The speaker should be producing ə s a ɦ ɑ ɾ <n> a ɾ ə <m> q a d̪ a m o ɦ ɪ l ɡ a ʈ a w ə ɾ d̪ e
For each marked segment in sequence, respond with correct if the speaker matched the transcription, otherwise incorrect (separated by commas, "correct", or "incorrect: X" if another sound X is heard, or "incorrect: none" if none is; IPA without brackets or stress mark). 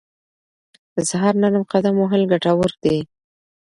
correct, correct